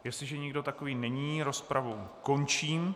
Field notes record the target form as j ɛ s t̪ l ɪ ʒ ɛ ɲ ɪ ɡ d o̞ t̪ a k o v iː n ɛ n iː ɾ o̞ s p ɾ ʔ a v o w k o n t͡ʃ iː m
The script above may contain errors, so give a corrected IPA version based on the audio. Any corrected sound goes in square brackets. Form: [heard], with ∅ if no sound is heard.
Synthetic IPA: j ɛ s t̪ l ɪ ʒ ɛ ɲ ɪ ɡ d o̞ t̪ a k o v iː n ɛ [ɲ] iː ɾ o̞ s p ɾ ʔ a v o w k o n t͡ʃ iː m